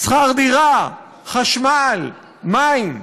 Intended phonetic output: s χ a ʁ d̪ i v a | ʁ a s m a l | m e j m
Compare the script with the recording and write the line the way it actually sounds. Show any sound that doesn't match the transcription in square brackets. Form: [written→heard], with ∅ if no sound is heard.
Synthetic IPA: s χ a ʁ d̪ i [v→ʁ] a | [ʁ→χ] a [s→ʃ] m a l | m [e→a] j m